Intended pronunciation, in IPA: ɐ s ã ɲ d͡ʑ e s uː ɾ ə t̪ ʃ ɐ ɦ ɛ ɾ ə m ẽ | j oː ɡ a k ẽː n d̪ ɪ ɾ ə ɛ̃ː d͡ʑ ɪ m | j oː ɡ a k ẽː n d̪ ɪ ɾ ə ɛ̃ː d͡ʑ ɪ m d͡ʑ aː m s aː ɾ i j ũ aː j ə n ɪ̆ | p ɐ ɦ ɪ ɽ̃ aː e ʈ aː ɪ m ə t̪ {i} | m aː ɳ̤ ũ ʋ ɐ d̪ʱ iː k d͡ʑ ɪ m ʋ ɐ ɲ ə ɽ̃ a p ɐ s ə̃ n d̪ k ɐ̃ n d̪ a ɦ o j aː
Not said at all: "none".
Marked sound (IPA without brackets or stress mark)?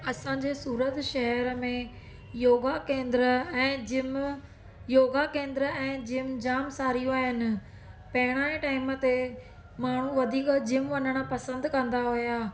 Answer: e